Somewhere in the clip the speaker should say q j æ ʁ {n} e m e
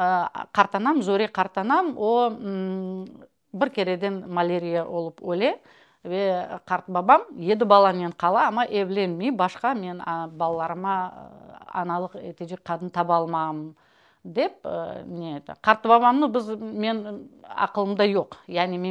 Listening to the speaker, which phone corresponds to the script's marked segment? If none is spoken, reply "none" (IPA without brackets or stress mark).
n